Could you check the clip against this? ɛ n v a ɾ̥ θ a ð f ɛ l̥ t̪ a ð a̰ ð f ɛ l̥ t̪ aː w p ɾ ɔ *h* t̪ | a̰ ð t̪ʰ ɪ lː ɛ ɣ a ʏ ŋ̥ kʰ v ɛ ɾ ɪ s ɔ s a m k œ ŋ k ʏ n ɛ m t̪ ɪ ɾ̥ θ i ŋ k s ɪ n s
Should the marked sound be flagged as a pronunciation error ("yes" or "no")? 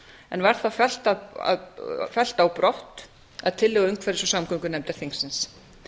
no